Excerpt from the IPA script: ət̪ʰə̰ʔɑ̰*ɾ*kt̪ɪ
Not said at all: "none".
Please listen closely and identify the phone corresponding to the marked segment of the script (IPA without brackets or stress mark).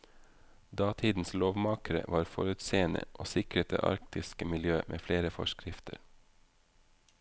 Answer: ɾ